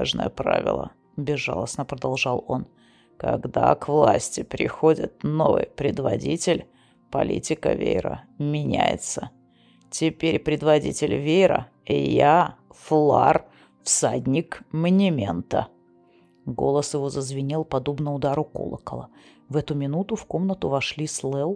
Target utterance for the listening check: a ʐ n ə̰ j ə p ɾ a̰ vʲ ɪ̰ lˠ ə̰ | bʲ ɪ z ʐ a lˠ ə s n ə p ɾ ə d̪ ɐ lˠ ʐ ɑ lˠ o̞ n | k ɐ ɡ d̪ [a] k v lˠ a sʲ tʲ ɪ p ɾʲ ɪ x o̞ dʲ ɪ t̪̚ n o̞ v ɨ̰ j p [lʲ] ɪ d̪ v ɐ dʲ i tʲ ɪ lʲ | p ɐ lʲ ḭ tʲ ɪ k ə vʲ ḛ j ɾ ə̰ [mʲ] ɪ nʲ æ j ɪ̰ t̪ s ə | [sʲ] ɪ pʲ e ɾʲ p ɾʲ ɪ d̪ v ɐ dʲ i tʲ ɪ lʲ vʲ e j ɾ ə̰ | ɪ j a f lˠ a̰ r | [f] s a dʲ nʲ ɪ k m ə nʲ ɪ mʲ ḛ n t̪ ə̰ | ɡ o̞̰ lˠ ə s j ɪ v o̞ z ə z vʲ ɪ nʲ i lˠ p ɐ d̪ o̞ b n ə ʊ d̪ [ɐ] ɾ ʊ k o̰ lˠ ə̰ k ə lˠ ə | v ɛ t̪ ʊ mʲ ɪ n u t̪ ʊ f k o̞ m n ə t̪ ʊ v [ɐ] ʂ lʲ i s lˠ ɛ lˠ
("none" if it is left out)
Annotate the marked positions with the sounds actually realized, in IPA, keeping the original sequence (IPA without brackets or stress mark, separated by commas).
a, ɾʲ, mʲ, tʲ, f, a, ɐ